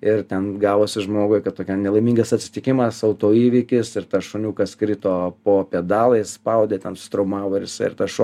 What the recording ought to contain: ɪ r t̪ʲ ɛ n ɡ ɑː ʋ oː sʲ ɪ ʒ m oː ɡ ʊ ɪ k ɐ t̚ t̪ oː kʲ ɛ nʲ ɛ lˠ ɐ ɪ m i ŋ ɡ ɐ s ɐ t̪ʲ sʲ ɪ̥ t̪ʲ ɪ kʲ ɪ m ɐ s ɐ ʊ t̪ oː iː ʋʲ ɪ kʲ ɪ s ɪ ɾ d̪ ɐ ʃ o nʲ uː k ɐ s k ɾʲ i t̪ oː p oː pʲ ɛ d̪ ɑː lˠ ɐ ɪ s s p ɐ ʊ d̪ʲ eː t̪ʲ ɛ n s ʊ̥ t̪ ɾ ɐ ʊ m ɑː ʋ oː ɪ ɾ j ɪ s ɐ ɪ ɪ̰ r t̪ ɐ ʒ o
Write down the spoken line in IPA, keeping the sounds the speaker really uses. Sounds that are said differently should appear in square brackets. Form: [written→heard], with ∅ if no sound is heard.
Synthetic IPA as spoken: ɪ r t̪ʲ ɛ n ɡ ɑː ʋ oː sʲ ɪ ʒ m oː ɡ ʊ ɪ k ɐ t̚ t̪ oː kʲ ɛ nʲ ɛ lˠ ɐ ɪ m i ŋ ɡ ɐ s ɐ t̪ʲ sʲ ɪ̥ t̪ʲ ɪ kʲ ɪ m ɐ s ɐ ʊ t̪ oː iː ʋʲ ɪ kʲ ɪ s ɪ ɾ [d̪→t̪] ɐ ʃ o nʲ uː k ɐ s k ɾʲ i t̪ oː p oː pʲ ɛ d̪ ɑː lˠ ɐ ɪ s s p ɐ ʊ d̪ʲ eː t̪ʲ ɛ n s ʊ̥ t̪ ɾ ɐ ʊ m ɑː ʋ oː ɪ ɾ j ɪ s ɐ ɪ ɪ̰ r t̪ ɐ [ʒ→ʃ] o

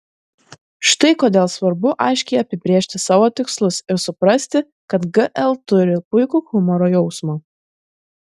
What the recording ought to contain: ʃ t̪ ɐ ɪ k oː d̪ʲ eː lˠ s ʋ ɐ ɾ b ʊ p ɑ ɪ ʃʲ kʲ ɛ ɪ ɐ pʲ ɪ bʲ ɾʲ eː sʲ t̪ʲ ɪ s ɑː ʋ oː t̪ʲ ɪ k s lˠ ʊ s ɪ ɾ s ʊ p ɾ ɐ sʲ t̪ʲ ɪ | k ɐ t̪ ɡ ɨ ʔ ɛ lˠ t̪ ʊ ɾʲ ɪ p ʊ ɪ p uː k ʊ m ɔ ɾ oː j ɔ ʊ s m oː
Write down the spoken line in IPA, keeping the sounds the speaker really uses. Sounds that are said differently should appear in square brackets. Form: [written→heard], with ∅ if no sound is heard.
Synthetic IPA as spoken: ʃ t̪ ɐ ɪ k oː d̪ʲ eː lˠ s ʋ ɐ ɾ b ʊ [p→ʔ] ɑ ɪ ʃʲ kʲ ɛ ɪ ɐ pʲ ɪ bʲ ɾʲ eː [sʲ→ʃʲ] t̪ʲ ɪ s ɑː ʋ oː t̪ʲ ɪ k s lˠ ʊ s ɪ ɾ s ʊ p ɾ ɐ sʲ t̪ʲ ɪ | k ɐ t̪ ɡ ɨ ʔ ɛ lˠ t̪ ʊ ɾʲ ɪ p ʊ ɪ [p→k] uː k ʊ m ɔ ɾ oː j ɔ ʊ s m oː

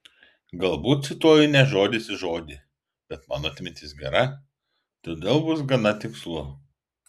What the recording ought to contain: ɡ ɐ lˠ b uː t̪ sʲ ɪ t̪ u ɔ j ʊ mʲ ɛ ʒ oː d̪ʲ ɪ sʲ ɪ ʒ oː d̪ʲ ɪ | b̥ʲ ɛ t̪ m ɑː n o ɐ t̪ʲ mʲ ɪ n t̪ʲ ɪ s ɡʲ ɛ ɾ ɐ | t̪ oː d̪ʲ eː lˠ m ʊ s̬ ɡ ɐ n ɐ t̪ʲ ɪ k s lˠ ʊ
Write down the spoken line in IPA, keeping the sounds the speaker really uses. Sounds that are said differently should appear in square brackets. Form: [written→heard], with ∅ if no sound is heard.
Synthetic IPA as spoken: ɡ ɐ lˠ b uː t̪ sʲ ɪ t̪ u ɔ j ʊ [mʲ→nʲ] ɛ ʒ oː d̪ʲ ɪ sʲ ɪ ʒ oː d̪ʲ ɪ | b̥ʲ ɛ t̪ m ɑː n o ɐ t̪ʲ mʲ ɪ n t̪ʲ ɪ s ɡʲ ɛ ɾ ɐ | t̪ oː d̪ʲ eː lˠ [m→b] ʊ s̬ ɡ ɐ n ɐ t̪ʲ ɪ k s lˠ ʊ

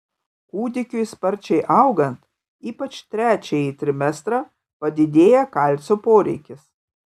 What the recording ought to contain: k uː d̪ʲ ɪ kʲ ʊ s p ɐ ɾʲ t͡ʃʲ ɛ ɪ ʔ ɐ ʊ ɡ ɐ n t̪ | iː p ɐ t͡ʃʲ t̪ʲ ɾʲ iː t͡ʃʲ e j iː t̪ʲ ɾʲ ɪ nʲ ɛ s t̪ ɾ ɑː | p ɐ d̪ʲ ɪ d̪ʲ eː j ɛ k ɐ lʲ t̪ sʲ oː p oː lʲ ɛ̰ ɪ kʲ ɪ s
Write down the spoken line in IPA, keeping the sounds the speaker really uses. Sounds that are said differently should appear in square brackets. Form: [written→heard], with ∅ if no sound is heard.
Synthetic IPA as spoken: k uː d̪ʲ ɪ kʲ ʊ s p ɐ ɾʲ t͡ʃʲ ɛ ɪ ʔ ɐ ʊ ɡ ɐ n t̪ | iː p ɐ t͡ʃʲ t̪ʲ ɾʲ [iː→æː] t͡ʃʲ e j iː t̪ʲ ɾʲ ɪ [nʲ→mʲ] ɛ s t̪ ɾ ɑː | p ɐ d̪ʲ ɪ d̪ʲ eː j ɛ k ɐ lʲ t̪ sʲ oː p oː [lʲ→ɾʲ] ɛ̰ ɪ kʲ ɪ s

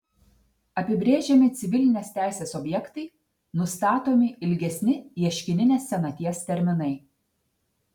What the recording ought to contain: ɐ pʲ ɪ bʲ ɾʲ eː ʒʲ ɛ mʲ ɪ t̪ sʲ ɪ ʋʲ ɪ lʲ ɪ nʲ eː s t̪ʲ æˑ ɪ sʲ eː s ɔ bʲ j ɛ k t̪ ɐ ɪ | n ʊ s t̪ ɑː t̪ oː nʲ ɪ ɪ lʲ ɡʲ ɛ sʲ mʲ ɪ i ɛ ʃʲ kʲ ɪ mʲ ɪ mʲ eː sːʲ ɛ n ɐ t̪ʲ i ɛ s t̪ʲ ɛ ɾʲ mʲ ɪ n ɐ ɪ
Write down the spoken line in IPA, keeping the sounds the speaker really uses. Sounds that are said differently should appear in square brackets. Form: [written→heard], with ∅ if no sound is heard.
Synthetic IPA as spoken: ɐ pʲ ɪ bʲ ɾʲ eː ʒʲ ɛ mʲ ɪ t̪ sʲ ɪ ʋʲ ɪ lʲ ɪ nʲ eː s t̪ʲ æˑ ɪ sʲ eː s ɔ bʲ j ɛ k t̪ ɐ ɪ | n ʊ s t̪ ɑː t̪ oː [nʲ→mʲ] ɪ ɪ lʲ ɡʲ ɛ sʲ [mʲ→nʲ] ɪ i ɛ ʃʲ kʲ ɪ [mʲ→nʲ] ɪ [mʲ→nʲ] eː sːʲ ɛ n ɐ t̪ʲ i ɛ s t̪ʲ ɛ ɾʲ mʲ ɪ n ɐ ɪ

